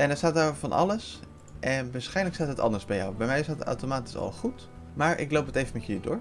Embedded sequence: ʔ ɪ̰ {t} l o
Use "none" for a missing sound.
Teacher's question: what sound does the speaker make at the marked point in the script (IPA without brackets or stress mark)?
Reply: k